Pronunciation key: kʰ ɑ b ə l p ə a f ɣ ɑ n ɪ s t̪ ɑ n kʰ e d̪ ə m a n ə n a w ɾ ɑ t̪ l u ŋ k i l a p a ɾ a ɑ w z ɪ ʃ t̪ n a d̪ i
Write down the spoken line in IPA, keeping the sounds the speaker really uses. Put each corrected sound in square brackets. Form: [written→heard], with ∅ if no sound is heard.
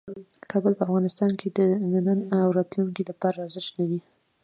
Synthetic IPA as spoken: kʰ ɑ b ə l p ə a f ɣ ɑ n ɪ s t̪ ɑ n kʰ e d̪ ə [m→n] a n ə n a w ɾ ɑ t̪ l u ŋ k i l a p [a→ɑ] ɾ a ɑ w z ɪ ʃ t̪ n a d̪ i

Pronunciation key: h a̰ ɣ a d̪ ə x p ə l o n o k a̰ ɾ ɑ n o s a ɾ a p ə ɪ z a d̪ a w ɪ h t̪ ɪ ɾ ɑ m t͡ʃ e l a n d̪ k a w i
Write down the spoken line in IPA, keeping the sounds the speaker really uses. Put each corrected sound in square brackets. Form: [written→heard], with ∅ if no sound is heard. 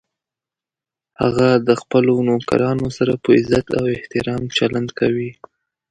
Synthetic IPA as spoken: h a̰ ɣ a d̪ ə x p ə l o n o k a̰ ɾ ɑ n o s a ɾ a p ə ɪ z a [d̪→t̪] a w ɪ h t̪ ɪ ɾ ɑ m t͡ʃ [e→a] l a n d̪ k a w i

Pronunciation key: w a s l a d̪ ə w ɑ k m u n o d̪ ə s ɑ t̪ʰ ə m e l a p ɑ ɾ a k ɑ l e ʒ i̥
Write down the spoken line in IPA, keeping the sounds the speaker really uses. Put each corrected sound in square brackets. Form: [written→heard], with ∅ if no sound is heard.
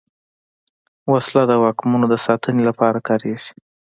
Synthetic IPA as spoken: w a s l a d̪ ə w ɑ k m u n o d̪ ə s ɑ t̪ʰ ə [m→n] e l a p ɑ ɾ a k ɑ [l→ɾ] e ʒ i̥

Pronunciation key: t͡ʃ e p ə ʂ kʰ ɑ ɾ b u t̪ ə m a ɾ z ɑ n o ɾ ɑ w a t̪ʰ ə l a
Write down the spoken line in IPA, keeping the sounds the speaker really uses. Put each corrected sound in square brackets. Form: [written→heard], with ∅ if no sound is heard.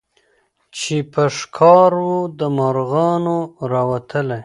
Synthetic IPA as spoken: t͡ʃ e p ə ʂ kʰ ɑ ɾ [b→w] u [t̪→d̪] ə m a ɾ [z→ɣ] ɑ n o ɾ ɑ w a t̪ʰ ə l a

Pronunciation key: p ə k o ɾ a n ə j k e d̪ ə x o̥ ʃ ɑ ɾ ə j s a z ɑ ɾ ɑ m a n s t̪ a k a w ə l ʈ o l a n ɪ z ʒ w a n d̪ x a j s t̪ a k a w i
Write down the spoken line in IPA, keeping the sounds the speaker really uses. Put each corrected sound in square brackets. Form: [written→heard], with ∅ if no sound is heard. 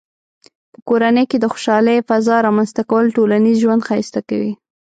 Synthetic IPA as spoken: p ə k o ɾ a n ə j k e d̪ ə x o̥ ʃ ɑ [ɾ→l] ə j [s→f] a z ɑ ɾ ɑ m a n s t̪ a k a w ə l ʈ o l a n [ɪ→i] z ʒ w a n d̪ x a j s t̪ a k a w i

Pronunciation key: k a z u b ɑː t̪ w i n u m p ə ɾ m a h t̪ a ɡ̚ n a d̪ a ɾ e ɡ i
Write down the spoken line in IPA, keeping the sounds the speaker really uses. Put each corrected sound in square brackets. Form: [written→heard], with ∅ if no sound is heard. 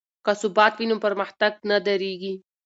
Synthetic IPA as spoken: k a [z→s] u b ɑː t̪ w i n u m p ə ɾ m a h t̪ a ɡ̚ n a d̪ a ɾ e ɡ i

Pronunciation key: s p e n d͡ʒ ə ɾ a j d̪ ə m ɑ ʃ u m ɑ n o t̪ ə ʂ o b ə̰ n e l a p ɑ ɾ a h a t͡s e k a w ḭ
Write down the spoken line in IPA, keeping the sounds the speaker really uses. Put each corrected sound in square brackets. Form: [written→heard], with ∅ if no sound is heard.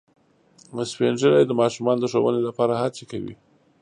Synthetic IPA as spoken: s p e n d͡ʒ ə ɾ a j d̪ ə m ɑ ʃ u m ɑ n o [t̪→d̪] ə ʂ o [b→w] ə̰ n e l a p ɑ ɾ a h a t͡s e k a w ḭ

